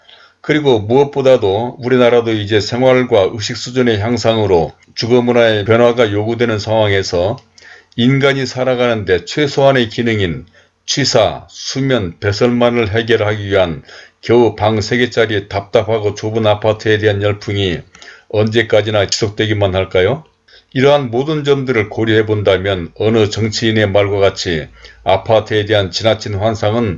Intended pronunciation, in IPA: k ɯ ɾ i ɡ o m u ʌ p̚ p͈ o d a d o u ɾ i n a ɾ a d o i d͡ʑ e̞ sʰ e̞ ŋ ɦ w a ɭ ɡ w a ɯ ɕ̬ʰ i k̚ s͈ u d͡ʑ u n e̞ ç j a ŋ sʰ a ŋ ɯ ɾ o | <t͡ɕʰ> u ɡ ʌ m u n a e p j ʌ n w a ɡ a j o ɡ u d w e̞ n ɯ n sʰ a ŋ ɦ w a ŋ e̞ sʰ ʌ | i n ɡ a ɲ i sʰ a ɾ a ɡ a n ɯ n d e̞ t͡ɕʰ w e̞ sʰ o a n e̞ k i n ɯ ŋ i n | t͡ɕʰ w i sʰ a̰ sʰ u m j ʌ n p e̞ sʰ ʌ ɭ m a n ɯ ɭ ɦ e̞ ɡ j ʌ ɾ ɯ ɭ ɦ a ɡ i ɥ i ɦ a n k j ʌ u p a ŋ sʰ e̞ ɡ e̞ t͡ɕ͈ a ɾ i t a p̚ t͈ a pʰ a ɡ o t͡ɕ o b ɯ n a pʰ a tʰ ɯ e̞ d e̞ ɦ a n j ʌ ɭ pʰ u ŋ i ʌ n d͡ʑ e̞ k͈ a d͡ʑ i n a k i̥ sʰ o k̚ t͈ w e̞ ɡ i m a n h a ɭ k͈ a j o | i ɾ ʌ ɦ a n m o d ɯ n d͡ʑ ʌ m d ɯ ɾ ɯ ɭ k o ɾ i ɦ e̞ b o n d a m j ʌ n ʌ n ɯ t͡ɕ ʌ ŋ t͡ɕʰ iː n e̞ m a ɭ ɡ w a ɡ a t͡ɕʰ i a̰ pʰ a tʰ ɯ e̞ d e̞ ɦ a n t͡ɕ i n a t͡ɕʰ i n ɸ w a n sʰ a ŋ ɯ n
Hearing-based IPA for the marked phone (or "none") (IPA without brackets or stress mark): t͡ɕ